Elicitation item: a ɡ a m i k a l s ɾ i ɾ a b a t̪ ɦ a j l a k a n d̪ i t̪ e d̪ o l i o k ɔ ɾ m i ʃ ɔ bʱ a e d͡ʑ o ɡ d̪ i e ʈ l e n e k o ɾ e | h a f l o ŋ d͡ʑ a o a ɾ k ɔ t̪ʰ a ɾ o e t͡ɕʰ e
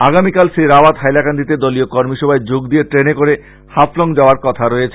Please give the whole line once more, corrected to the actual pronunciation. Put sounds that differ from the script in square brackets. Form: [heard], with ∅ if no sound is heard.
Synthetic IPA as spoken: a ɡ a m i k a l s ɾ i ɾ a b a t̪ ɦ a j l a k a n d̪ i t̪ e d̪ o l i o k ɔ ɾ m i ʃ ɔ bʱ a e d͡ʑ o ɡ d̪ i e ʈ [ɾ] e n e k o ɾ e | h a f l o ŋ d͡ʑ a o a ɾ k ɔ t̪ʰ a ɾ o e t͡ɕʰ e